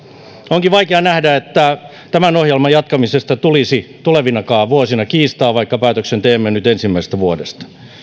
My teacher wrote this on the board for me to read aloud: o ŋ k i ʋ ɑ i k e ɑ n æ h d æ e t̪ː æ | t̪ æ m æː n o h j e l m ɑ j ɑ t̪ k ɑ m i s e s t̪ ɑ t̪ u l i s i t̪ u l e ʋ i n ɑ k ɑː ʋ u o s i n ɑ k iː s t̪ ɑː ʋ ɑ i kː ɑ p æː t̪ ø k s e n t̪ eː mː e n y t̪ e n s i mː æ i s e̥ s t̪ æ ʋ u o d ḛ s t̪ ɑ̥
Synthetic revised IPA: o ŋ k i ʋ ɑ i k e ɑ n æ h d æ e t̪ː æ | t̪ æ m æ n o h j e l m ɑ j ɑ t̪ k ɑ m i s e s t̪ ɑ t̪ u l i s i t̪ u l e ʋ i n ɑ k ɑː ʋ u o s i n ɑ k iː s t̪ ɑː ʋ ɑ i kː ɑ p æː t̪ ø k s e n t̪ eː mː e n y t̪ e n s i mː æ i s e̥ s t̪ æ ʋ u o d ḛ s t̪ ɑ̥